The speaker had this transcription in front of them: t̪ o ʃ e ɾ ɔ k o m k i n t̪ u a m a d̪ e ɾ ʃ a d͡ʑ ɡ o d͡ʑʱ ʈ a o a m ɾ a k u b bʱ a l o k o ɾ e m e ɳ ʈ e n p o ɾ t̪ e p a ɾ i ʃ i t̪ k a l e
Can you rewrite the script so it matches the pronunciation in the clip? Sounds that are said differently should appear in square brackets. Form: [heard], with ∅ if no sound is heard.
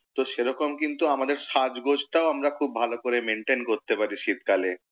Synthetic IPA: t̪ o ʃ e ɾ ɔ k o m k i n t̪ u a m a d̪ e ɾ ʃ a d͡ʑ ɡ o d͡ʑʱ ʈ a o a m ɾ a [kʰ] u b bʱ a l o k o ɾ e m e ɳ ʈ e n [k] o ɾ t̪ e p a ɾ i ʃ i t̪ k a l e